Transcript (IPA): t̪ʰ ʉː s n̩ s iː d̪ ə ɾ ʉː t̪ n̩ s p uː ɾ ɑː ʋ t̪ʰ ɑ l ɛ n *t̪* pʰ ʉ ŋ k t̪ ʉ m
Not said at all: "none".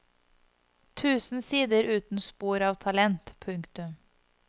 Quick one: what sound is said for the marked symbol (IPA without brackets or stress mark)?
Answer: t̪